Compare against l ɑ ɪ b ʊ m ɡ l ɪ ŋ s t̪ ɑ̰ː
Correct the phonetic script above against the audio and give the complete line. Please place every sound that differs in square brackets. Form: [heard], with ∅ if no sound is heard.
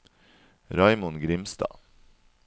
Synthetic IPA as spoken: [ɾ] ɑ ɪ [m] ʊ [n] ɡ [ɾ] ɪ [m] s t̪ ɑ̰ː